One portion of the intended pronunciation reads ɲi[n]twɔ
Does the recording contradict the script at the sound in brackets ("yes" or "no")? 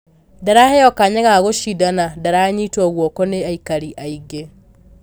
yes